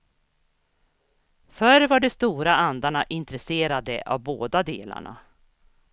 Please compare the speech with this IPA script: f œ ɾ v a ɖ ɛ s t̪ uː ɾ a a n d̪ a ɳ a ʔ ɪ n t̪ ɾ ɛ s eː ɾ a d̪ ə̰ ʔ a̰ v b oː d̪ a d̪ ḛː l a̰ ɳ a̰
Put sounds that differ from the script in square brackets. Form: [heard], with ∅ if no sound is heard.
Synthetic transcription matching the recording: f œ ɾ v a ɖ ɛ s t̪ uː ɾ a a n d̪ a ɳ a ʔ ɪ n t̪ ɾ ɛ s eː ɾ a d̪ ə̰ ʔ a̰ v b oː d̪ a d̪ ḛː l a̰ ɳ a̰